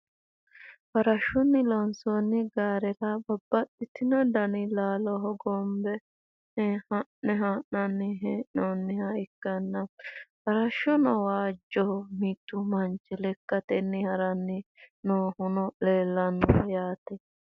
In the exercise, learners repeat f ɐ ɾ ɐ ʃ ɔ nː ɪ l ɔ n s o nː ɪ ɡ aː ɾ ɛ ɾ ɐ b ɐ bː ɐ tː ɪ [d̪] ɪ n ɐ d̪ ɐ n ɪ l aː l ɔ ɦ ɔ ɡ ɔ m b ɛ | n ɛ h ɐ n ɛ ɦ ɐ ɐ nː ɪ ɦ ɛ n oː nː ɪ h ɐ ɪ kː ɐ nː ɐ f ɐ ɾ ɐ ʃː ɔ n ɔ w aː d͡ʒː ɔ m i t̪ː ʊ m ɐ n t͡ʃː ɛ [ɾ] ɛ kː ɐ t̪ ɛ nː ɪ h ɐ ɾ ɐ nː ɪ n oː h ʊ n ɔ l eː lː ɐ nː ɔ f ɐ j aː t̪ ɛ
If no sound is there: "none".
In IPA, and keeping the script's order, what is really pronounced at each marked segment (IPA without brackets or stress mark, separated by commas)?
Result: t̪, l